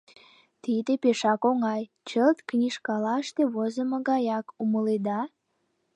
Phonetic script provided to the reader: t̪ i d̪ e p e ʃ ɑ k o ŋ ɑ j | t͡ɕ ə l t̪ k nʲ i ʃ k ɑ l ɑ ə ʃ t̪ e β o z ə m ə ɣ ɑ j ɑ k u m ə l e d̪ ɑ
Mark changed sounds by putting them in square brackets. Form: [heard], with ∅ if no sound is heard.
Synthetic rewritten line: t̪ i d̪ e p e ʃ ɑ k o ŋ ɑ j | t͡ɕ ə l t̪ k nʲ i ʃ k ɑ l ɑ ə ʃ t̪ e β o z ə m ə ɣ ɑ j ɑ k u m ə l e d̪ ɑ

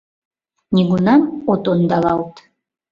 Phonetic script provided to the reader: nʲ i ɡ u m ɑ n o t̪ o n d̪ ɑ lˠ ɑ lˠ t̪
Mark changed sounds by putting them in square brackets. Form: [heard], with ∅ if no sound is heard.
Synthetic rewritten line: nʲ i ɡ u [n] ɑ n o t̪ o n d̪ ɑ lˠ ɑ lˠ t̪

